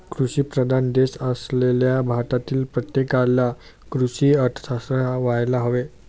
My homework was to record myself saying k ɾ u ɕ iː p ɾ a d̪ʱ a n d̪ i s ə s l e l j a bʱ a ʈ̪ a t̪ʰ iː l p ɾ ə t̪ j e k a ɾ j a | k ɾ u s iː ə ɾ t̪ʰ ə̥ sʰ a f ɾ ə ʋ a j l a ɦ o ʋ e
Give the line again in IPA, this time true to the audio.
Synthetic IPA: k ɾ u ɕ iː p ɾ ə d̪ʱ a n d̪ e s ə s l e l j a bʱ a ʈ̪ a t̪ iː l p ɾ ə t̪ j e k a l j a | k ɾ u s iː ə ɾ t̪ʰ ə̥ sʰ a s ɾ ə ʋ a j l a ɦ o ʋ e